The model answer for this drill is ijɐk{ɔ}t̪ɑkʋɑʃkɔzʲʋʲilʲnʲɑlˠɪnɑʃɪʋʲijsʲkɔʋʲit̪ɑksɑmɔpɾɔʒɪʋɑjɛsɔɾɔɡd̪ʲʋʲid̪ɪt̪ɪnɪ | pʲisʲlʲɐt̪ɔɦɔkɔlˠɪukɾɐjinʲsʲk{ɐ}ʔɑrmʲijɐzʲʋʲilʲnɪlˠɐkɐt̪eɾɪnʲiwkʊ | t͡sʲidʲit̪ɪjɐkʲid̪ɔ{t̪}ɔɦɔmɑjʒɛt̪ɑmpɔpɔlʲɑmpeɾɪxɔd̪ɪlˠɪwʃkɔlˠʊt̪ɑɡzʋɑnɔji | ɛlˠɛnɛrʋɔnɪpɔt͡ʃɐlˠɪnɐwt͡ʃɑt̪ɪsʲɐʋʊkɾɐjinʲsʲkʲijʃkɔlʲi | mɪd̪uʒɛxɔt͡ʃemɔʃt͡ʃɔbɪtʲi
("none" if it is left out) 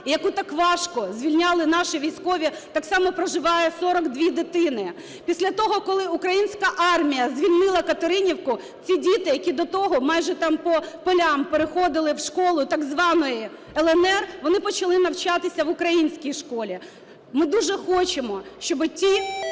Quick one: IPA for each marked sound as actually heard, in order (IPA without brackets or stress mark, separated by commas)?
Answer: u, ɐ, t̪